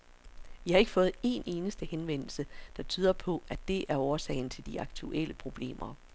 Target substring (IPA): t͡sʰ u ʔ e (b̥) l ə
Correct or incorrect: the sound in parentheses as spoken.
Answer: incorrect: none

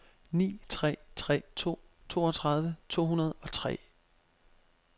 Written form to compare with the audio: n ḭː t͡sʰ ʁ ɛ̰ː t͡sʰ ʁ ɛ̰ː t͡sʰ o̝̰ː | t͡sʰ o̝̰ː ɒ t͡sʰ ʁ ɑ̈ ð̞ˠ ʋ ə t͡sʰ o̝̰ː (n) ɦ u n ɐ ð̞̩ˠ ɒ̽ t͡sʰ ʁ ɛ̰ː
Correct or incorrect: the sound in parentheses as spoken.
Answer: incorrect: none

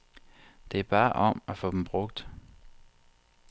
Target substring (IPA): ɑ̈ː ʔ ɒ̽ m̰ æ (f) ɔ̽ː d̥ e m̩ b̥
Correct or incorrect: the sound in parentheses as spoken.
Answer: correct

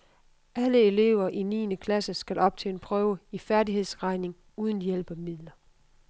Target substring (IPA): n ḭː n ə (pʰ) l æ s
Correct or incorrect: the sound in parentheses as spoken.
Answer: incorrect: kʰ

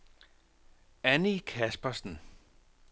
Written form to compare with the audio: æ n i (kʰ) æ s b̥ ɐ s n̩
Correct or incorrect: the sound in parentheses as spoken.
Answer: correct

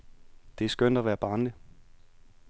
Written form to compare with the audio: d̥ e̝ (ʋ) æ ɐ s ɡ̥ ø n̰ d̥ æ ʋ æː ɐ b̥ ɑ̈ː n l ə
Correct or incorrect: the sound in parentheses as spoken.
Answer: incorrect: none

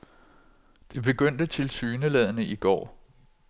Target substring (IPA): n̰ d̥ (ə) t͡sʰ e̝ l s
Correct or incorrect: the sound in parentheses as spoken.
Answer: correct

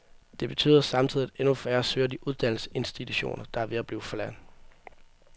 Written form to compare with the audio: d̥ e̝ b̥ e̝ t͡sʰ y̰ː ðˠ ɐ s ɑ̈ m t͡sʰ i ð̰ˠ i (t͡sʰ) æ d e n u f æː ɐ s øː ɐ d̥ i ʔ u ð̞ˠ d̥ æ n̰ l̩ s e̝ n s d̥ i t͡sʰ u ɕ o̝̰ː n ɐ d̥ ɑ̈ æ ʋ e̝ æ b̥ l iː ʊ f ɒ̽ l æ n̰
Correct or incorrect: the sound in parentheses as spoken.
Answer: incorrect: none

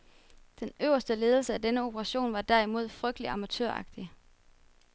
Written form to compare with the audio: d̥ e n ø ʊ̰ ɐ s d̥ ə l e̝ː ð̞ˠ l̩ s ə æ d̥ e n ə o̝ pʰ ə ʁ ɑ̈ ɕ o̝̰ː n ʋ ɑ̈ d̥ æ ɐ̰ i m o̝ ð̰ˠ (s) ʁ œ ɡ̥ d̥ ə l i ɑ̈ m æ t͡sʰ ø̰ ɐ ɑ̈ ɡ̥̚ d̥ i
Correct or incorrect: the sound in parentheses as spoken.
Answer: incorrect: f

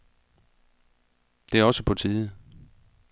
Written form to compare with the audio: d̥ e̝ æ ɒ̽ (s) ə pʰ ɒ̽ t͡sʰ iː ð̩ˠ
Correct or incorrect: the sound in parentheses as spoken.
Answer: correct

